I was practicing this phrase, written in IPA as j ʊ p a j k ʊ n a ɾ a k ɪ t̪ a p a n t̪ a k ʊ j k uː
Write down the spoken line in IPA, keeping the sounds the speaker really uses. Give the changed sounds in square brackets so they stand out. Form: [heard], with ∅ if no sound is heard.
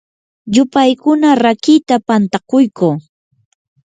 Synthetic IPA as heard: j ʊ p a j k ʊ n a ɾ a k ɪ t̪ a p a n t̪ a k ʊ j k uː